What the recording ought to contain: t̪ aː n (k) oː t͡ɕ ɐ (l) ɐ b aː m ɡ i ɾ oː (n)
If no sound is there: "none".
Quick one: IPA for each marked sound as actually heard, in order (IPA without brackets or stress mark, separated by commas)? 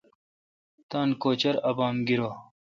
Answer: k, ɾ, none